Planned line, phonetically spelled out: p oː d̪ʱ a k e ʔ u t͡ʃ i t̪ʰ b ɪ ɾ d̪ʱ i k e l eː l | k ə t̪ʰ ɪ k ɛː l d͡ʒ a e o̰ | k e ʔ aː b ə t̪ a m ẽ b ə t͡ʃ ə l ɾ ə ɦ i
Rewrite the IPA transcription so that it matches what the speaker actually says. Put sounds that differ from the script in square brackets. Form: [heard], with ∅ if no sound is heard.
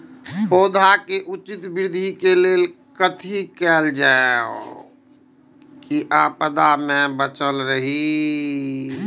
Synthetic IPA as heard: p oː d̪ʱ a k e ʔ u t͡ʃ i [t̪] b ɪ ɾ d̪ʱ i k e l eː l | k ə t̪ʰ [i] k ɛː l d͡ʒ a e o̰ | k [i] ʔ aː [p] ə [d̪] a m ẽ b ə t͡ʃ ə l ɾ ə ɦ i

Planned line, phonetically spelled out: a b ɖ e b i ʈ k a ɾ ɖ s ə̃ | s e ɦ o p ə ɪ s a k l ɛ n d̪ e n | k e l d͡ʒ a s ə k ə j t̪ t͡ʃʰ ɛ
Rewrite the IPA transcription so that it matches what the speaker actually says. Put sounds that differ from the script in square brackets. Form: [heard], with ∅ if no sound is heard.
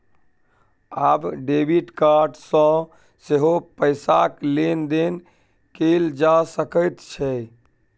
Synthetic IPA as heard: a b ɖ e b i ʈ k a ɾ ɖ s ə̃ | s e ɦ o p ə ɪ s a k l [e] n d̪ e n | k e l d͡ʒ a s ə k ə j t̪ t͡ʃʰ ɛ

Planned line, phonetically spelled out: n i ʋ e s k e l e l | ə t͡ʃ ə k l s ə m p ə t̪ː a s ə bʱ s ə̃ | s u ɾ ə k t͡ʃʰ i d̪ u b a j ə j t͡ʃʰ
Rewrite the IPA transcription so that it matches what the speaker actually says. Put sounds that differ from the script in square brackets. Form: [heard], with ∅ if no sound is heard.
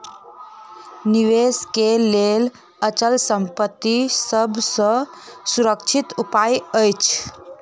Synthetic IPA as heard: n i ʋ e s k e l e l | ə t͡ʃ ə [∅] l s ə m p ə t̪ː [i] s ə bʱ s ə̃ | s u ɾ ə k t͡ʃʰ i [t̪] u [p] a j ə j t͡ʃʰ

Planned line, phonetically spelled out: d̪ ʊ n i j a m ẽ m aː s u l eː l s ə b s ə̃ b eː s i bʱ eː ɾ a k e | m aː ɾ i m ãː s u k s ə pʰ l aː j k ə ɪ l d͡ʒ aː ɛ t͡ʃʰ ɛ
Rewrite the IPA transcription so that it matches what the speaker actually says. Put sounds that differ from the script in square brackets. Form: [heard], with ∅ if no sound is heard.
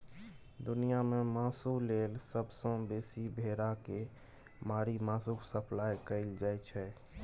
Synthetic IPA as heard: d̪ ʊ n i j a m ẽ m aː s u l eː l s ə b s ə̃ b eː s i bʱ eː ɾ a k e | m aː ɾ i m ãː s u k s ə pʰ l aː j k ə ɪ l d͡ʒ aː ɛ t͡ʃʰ ɛ

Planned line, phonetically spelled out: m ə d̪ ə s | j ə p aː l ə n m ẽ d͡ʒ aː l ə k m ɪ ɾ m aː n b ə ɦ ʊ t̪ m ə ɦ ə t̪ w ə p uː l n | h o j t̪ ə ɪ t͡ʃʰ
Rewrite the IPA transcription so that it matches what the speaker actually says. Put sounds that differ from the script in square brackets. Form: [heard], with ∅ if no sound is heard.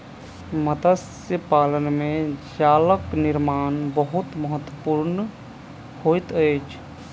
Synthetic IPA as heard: m ə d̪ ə s | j ə p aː l ə n m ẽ d͡ʒ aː l ə k [n] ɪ ɾ m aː n b ə ɦ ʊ t̪ m ə ɦ ə t̪ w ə p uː [ɾ] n | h o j t̪ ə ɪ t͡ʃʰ

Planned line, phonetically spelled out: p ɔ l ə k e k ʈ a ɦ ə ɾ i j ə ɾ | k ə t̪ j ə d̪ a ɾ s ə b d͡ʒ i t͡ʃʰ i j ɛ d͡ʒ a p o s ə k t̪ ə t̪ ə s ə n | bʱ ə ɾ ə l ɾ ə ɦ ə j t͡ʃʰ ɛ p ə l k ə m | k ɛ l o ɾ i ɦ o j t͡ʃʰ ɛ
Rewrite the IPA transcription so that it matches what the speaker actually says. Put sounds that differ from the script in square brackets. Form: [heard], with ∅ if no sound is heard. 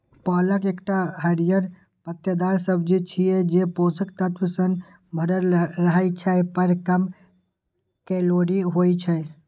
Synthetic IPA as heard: p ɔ l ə k e k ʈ a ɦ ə ɾ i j ə ɾ | [p] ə t̪ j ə d̪ a ɾ s ə b d͡ʒ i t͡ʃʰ i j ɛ d͡ʒ [e] p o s ə k t̪ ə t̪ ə s ə n | bʱ ə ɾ ə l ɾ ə ɦ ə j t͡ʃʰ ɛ p ə [ɾ] k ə m | k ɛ l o ɾ i ɦ o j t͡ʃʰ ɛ

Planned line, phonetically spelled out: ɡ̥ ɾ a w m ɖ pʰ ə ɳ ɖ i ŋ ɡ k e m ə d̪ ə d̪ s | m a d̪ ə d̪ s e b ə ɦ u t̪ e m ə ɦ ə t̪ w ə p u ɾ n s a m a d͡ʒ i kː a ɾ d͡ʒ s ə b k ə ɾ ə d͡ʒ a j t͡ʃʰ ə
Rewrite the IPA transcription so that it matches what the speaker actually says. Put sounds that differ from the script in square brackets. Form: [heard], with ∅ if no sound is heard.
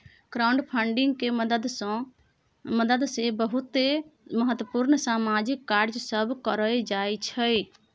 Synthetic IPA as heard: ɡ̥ ɾ a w [ɳ] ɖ pʰ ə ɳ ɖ i ŋ ɡ k e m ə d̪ ə d̪ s | m [ə] d̪ ə d̪ s e b ə ɦ u t̪ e m ə ɦ ə t̪ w ə p u ɾ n s a m a d͡ʒ i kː a ɾ d͡ʒ s ə b k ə ɾ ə d͡ʒ a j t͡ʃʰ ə

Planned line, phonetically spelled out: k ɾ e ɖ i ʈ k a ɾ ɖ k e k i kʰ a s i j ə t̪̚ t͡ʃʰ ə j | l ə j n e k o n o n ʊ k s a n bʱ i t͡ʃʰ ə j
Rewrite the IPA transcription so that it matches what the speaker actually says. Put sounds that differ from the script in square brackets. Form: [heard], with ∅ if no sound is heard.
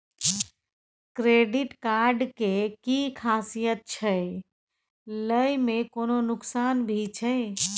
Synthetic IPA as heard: k ɾ e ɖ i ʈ k a ɾ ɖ k e k i kʰ a s i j ə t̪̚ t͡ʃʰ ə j | l ə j [m] e k o n o n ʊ k s a n bʱ i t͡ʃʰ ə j

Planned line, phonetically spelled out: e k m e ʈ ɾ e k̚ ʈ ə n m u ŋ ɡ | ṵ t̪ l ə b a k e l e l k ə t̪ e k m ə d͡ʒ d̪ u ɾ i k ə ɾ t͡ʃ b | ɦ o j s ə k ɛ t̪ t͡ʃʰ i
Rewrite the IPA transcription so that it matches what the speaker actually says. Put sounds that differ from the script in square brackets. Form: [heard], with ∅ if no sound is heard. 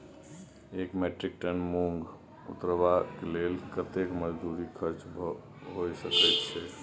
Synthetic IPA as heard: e k m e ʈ ɾ [i] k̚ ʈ ə n m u ŋ ɡ | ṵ t̪ [ɾ] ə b a k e l e l k ə t̪ e k m ə d͡ʒ d̪ u ɾ i [kʰ] ə ɾ t͡ʃ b | ɦ o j s ə k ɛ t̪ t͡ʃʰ [ɛ]

